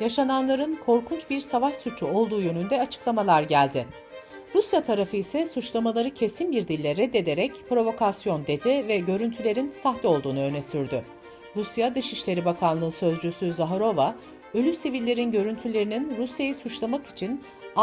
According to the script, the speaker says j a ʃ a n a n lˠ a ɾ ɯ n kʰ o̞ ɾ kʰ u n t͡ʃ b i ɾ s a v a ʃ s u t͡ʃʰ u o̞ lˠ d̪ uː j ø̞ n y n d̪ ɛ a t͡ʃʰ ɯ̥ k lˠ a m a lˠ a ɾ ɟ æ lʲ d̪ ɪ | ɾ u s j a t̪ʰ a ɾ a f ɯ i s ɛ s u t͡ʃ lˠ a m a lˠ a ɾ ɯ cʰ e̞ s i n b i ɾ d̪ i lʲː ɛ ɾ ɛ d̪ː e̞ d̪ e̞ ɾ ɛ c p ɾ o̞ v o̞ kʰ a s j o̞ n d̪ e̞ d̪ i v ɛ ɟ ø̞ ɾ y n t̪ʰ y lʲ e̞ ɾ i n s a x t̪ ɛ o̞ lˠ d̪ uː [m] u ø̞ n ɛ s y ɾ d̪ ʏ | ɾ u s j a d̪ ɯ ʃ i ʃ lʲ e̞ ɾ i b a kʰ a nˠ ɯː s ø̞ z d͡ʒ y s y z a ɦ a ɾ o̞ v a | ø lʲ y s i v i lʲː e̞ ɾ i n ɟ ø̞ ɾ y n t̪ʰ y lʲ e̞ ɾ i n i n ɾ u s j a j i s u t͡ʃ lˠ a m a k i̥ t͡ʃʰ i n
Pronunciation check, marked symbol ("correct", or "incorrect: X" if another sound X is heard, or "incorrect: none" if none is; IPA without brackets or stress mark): incorrect: n